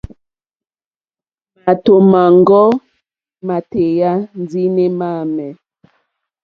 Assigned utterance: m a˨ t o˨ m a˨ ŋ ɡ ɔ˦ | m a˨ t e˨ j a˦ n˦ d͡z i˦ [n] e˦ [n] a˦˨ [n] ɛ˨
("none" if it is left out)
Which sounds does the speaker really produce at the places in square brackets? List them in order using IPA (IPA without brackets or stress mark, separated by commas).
n, m, m